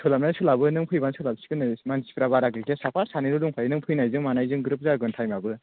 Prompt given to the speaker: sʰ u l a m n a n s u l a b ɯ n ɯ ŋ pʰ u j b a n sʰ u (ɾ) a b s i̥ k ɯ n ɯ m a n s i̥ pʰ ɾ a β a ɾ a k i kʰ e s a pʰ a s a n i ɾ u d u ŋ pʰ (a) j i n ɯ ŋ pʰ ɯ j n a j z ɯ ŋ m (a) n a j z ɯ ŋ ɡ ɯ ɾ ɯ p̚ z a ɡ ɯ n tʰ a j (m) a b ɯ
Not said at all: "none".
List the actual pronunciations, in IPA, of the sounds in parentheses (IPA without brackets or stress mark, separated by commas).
l, a, a, m